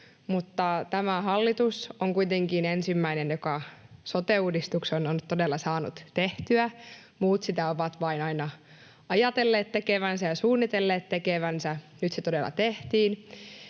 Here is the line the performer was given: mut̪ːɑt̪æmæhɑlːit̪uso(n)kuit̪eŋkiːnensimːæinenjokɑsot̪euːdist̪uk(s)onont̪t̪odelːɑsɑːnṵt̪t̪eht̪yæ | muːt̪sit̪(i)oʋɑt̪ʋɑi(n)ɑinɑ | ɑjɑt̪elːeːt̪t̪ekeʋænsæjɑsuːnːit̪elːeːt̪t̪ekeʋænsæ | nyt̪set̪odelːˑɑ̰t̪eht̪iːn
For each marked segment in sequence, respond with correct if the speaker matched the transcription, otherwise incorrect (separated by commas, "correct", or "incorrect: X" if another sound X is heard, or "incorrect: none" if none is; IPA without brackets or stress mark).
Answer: incorrect: ŋ, correct, incorrect: æ, correct